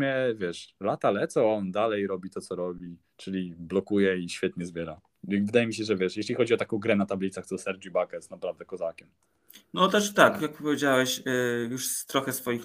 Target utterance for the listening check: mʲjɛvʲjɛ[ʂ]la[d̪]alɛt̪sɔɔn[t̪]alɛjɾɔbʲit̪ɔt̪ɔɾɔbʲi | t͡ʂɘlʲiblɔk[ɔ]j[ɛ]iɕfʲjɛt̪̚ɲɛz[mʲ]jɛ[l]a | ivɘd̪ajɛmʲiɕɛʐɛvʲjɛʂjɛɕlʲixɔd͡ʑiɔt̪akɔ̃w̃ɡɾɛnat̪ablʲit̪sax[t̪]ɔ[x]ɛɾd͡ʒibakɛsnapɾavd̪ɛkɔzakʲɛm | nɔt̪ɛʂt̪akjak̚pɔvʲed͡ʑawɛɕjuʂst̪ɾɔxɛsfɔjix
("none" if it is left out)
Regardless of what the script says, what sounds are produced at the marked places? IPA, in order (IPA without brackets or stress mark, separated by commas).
ʂ, t̪, d̪, u, ɛ, bʲ, ɾ, t̪, s